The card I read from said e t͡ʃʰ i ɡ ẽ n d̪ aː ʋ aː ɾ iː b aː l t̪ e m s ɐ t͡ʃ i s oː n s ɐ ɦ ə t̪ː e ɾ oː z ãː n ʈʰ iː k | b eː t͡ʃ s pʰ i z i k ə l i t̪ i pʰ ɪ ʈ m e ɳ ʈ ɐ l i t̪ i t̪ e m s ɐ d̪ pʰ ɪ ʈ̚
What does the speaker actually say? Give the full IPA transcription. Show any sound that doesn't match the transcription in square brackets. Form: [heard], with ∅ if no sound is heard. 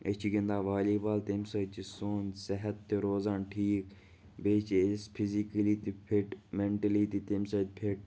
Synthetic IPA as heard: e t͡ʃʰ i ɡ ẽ n d̪ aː ʋ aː [l] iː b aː l t̪ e m s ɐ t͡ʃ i s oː n s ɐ ɦ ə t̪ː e ɾ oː z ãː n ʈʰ iː k | b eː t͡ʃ s pʰ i z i k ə l i t̪ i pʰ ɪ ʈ m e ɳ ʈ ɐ l i t̪ i t̪ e m s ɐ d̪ pʰ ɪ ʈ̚